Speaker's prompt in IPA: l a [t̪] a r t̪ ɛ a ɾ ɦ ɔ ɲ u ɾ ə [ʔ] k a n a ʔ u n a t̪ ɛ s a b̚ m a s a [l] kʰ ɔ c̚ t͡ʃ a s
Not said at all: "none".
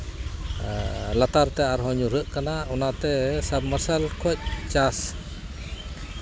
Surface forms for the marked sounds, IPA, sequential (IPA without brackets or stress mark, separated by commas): t̪, ʔ, l